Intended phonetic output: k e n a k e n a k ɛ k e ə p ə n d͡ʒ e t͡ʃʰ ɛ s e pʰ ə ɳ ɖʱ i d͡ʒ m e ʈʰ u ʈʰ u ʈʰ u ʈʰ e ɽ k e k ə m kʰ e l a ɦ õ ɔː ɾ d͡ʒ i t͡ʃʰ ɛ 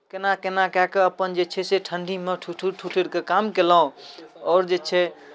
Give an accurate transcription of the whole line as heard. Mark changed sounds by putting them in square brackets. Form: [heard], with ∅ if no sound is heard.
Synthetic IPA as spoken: k e n a k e n a k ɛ k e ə p ə n d͡ʒ e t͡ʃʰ ɛ s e [ʈʰ] ə ɳ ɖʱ i [∅] m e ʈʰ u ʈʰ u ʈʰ u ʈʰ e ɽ k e k [a] m [k] e l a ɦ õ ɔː ɾ d͡ʒ [e] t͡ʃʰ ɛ